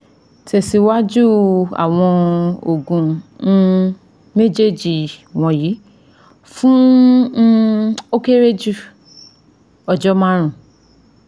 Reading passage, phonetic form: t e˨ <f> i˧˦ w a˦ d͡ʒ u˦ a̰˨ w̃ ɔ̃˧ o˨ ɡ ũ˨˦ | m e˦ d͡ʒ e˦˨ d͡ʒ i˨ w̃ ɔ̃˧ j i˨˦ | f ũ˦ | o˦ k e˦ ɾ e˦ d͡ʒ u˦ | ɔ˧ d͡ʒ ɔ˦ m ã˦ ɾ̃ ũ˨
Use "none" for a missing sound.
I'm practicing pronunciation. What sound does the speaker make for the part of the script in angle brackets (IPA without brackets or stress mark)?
s